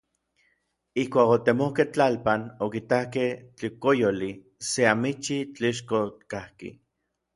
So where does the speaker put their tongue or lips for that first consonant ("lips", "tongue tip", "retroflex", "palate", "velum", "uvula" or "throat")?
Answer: throat